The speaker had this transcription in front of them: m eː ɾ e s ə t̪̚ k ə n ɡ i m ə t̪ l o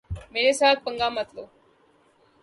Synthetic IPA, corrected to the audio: m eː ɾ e s a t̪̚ p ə ŋ ɡ a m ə t̪ l o